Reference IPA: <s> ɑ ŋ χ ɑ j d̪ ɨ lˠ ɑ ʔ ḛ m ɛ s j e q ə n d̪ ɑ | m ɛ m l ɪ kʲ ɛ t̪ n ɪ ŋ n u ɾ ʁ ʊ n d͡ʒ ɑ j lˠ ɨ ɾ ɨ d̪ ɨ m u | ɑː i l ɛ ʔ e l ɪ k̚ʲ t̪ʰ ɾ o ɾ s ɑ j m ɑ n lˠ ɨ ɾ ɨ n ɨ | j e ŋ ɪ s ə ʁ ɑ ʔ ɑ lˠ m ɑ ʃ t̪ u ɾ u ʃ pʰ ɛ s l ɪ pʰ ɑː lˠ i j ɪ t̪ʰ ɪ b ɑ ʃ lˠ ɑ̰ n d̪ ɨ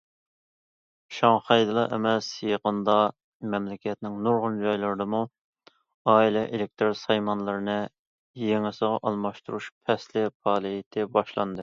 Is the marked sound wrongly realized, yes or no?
yes